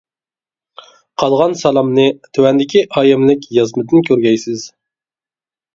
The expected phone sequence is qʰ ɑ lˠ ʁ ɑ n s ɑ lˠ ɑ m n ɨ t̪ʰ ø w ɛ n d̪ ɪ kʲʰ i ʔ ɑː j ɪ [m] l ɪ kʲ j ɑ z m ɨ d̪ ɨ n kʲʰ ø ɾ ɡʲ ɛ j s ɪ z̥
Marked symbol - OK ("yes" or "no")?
yes